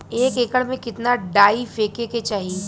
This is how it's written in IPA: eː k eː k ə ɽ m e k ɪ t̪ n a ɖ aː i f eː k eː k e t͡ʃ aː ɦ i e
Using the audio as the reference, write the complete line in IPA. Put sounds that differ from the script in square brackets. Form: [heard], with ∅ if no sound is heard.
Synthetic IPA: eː k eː k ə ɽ m [ẽ] k ɪ t̪ n a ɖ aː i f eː k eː k e t͡ʃ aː ɦ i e